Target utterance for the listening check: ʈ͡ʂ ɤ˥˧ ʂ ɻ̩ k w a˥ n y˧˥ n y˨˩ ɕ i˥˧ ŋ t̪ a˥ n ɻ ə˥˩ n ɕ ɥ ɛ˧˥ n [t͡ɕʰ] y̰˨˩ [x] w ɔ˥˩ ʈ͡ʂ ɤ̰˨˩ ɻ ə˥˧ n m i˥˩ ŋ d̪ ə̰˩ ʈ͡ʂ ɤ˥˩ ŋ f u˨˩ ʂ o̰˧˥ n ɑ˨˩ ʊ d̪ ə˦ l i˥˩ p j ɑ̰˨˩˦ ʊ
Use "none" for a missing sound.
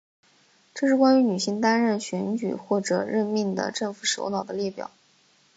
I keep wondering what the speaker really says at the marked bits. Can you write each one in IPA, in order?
t͡ɕ, x

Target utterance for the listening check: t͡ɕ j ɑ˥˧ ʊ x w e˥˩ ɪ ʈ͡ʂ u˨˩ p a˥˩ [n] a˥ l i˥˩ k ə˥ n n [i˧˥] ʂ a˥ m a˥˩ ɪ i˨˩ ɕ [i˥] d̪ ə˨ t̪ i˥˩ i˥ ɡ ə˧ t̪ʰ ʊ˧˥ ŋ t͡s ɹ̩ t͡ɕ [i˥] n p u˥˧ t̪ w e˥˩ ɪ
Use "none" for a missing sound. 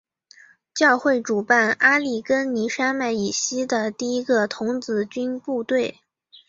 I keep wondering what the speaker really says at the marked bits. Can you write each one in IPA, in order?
n, i˧˥, i˥, y˥

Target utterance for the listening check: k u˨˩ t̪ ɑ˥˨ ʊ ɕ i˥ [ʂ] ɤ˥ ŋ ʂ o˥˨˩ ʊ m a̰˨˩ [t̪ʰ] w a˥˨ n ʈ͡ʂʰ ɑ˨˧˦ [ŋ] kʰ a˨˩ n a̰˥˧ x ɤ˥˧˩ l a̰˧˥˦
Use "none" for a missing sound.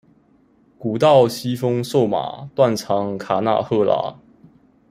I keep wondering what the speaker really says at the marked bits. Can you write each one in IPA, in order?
f, t̪, ŋ

